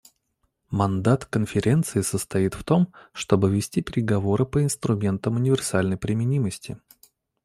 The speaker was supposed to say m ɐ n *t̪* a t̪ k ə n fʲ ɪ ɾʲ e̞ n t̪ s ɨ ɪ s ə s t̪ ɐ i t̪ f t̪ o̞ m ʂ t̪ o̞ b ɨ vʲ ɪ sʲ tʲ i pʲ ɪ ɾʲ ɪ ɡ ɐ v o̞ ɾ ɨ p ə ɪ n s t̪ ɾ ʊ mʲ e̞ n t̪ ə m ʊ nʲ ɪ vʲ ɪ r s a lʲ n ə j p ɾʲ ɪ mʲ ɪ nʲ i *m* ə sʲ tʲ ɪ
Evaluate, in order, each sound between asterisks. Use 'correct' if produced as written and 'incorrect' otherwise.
incorrect: d̪, correct

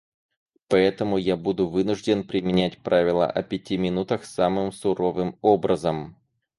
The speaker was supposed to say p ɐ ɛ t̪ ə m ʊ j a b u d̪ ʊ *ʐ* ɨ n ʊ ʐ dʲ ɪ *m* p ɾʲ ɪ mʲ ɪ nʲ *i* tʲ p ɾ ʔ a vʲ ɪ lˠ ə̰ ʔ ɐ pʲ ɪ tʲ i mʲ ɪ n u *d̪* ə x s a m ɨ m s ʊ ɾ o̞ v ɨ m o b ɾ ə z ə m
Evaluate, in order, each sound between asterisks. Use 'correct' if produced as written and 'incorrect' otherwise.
incorrect: v, incorrect: n, incorrect: æ, incorrect: t̪

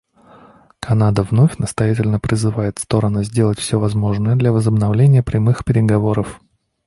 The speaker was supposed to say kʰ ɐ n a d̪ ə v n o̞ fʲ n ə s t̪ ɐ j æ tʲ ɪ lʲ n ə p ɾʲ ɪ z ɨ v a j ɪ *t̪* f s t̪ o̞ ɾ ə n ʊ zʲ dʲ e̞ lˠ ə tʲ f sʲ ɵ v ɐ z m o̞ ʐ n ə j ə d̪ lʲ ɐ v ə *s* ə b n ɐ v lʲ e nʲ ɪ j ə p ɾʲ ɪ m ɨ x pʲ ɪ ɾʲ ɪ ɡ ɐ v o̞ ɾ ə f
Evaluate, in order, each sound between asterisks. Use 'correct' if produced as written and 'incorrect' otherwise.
correct, incorrect: z

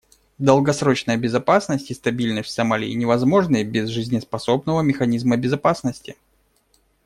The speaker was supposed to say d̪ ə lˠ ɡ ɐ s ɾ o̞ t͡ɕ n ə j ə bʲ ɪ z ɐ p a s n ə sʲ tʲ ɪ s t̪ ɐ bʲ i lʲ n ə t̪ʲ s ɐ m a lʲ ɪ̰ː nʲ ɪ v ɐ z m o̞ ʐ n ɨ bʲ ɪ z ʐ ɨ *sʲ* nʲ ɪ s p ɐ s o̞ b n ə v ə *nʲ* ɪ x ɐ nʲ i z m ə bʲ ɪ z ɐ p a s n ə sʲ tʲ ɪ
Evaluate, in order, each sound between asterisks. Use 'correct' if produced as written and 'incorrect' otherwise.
incorrect: zʲ, incorrect: mʲ

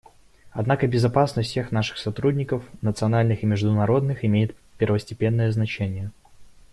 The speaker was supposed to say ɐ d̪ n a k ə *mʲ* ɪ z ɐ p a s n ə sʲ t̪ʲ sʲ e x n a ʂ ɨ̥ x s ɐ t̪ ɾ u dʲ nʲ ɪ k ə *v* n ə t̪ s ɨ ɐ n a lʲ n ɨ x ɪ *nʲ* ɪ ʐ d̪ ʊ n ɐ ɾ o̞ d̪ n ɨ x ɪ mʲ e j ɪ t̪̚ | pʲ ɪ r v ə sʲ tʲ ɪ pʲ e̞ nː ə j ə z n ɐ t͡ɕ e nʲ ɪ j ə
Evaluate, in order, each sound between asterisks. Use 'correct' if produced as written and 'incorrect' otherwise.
incorrect: bʲ, incorrect: f, incorrect: mʲ

